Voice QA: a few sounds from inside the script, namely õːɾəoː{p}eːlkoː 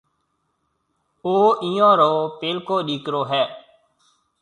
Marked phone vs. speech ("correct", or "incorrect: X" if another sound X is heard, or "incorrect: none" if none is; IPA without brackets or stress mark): correct